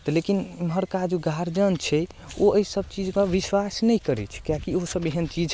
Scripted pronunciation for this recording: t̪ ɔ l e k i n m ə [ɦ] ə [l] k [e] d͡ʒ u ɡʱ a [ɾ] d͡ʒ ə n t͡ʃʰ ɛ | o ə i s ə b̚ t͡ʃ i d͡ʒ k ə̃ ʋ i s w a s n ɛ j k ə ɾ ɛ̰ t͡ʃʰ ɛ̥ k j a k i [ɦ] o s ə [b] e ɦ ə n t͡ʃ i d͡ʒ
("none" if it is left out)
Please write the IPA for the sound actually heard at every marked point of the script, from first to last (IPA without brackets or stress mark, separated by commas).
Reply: ɦ, ɾ, a, ɾ, none, b